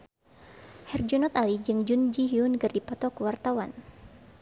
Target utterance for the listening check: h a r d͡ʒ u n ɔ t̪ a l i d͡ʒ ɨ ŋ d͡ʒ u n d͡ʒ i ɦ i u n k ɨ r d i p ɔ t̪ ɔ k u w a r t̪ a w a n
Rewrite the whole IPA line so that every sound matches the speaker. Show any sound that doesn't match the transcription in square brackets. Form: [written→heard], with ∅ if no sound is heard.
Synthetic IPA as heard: h [a→ɛ] r d͡ʒ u n ɔ t̪ a l i d͡ʒ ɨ ŋ d͡ʒ u n d͡ʒ i ɦ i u n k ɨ r d i p ɔ t̪ ɔ k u w a r t̪ a w a n